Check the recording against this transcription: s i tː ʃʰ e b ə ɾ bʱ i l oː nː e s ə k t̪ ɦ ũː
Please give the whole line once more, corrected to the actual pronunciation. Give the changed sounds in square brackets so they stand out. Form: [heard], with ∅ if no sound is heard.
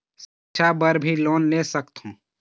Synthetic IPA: s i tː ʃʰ [a] b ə ɾ bʱ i l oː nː e s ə k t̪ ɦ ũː